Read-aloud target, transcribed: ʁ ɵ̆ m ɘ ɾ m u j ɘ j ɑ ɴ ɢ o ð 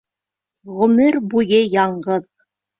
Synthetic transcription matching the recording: ʁ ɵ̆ m ɘ ɾ b u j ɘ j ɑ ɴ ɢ ɤ ð

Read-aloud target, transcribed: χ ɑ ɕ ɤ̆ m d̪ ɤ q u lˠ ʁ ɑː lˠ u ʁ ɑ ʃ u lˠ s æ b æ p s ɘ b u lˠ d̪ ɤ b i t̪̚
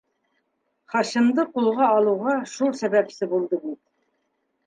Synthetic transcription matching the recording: χ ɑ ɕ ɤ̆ m d̪ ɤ q u lˠ ʁ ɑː lˠ u ʁ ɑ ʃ u lˠ s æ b æ p s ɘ b u lˠ d̪ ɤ b i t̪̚

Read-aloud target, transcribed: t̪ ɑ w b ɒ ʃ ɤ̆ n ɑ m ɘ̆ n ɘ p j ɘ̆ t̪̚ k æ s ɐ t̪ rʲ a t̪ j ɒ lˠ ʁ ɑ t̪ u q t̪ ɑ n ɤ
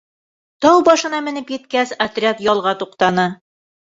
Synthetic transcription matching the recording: t̪ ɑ w b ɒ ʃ ɤ̆ n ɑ m ɘ̆ n ɘ p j ɘ̆ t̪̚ k æ s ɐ t̪ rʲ a t̪ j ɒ lˠ ʁ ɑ t̪ u q t̪ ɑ n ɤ

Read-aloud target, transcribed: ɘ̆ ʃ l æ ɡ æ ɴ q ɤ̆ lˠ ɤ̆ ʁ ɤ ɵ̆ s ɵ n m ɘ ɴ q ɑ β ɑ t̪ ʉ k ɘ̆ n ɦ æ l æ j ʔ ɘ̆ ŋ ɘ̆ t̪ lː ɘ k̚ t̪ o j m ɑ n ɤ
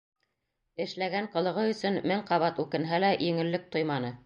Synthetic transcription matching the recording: ɘ̆ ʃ l æ ɡ æ ɴ q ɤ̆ lˠ ɤ̆ ʁ ɤ ɵ̆ s ɵ n m ɘ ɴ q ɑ β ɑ t̪ ʉ k ɘ̆ n ɦ æ l æ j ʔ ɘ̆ ŋ ɘ̆ lː ɘ k̚ t̪ o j m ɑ n ɤ

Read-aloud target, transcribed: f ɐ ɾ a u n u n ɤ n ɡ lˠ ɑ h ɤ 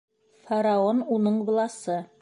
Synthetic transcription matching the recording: f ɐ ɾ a o n u n ɤ ɴ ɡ lˠ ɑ s ɤ

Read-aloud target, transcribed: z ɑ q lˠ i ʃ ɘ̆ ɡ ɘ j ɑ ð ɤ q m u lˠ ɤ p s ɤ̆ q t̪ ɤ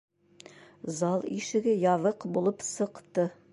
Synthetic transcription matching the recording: z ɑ lˠ i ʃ ɘ̆ ɡ ɘ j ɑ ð ɤ q b u lˠ ɤ p s ɤ̆ q t̪ ɤ

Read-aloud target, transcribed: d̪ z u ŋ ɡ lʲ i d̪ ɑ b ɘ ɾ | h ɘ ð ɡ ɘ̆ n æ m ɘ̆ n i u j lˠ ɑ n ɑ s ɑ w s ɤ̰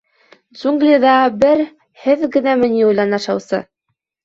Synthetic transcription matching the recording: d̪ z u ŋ ɡ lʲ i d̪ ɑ b ɘ ɾ | h ɘ ð ɡ ɘ̆ n æ m ɘ̆ n i u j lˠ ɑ n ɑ ʃ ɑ w s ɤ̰

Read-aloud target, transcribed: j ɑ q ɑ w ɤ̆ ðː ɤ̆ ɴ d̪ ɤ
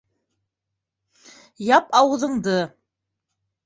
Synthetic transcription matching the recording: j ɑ p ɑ w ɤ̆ ð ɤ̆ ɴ d̪ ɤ

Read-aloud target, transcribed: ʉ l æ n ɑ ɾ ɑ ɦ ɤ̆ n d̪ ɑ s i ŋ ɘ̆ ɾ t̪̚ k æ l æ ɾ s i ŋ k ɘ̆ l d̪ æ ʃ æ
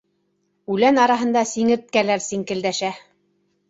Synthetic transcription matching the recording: ʉ l æ n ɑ ɾ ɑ ɦ ɤ̆ n d̪ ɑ s i ŋ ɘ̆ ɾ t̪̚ k æ l æ ɾ s i ŋ k ɘ̆ l d̪ æ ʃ æ

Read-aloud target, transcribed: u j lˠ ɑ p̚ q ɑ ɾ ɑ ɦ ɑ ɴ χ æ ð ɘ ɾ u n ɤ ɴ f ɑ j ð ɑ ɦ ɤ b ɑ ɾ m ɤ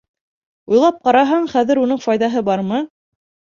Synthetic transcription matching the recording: u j lˠ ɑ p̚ q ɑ ɾ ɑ ɦ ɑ ɴ χ æ ð ɘ ɾ u n ɤ ɴ f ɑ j ð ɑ ɦ ɤ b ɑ ɾ m ɤ

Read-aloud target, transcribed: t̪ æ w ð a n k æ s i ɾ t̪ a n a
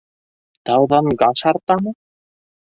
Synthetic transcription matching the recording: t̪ a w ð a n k a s a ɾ t̪ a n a

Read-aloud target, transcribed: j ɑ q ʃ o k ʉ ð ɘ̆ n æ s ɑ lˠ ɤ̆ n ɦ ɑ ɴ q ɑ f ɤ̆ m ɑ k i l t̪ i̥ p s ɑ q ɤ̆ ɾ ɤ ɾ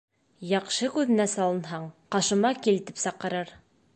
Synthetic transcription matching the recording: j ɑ q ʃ ɤ k ʉ ð ɘ̆ n æ s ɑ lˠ ɤ̆ n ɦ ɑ ɴ q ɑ ʃ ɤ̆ m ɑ k i l t̪ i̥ p s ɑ q ɤ̆ ɾ ɤ ɾ

